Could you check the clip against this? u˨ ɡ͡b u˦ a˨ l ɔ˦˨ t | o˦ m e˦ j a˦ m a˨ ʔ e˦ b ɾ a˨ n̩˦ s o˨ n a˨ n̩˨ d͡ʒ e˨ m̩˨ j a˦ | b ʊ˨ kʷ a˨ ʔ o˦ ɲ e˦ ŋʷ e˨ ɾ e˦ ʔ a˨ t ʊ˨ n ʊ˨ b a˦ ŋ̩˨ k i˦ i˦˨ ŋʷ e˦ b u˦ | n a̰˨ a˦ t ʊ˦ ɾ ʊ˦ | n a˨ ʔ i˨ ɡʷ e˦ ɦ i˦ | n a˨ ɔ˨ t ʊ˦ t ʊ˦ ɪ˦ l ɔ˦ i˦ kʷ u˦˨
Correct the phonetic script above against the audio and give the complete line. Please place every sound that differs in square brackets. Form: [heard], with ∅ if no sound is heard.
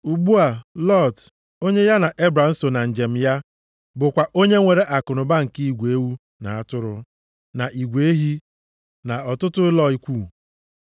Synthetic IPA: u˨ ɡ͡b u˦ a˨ l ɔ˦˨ t | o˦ [ɲ] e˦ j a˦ [n] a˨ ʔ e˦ b ɾ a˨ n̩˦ s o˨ n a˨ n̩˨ d͡ʒ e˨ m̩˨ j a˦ | b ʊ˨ kʷ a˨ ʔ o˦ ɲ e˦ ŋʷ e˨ ɾ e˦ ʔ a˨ [k] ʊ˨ n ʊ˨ b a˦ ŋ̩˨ k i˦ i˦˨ [ɡʷ] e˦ [w] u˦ | n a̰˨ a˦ t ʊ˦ ɾ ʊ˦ | n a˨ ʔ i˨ ɡʷ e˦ ɦ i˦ | n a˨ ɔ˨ t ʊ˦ t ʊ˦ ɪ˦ l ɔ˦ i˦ kʷ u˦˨